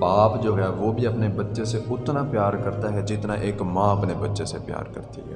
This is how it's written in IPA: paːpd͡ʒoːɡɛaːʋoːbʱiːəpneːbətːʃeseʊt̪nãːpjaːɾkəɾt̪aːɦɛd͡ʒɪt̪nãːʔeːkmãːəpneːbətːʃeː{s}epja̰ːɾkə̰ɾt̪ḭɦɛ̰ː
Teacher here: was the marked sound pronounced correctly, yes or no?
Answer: yes